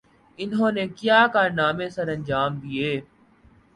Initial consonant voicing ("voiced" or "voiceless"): voiced